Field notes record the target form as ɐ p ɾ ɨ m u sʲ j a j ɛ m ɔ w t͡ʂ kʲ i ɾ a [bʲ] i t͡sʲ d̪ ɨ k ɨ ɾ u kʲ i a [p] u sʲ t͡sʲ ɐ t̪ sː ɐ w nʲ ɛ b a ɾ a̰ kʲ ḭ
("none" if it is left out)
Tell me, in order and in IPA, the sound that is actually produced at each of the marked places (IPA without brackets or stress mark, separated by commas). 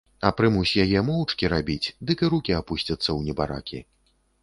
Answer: bʲ, p